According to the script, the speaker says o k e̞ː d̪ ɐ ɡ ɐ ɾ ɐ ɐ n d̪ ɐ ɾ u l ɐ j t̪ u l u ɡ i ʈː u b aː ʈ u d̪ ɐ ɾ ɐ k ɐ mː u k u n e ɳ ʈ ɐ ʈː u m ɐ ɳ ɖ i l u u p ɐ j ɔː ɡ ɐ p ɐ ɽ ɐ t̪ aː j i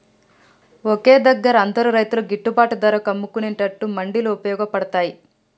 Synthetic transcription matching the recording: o k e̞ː d̪ ɐ ɡː ɐ ɾ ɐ ɐ n d̪ ɐ ɾ u ɾ ɐ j t̪ u l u ɡ i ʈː u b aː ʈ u d̪ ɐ ɾ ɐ k ɐ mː u k u n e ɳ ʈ ɐ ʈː u m ɐ ɳ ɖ i l u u p ɐ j ɔː ɡ ɐ p ɐ ɽ ɐ t̪ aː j i